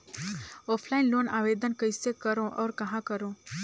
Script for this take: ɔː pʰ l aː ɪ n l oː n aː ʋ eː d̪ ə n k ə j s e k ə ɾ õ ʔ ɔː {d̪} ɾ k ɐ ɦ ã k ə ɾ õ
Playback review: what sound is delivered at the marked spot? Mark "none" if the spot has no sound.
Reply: none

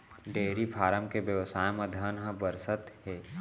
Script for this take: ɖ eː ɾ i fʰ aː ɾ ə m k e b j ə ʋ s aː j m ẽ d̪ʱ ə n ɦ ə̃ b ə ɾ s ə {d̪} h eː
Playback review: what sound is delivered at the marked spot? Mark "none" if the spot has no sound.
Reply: t̪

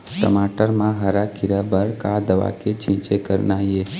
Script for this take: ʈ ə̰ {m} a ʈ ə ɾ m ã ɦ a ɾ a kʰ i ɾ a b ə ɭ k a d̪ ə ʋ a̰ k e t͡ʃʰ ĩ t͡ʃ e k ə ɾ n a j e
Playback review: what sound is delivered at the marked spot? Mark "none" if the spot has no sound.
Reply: m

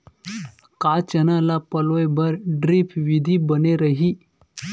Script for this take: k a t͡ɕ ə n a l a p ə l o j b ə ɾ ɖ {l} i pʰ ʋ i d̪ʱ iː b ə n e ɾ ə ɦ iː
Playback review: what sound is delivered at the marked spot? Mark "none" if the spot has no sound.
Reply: ɾ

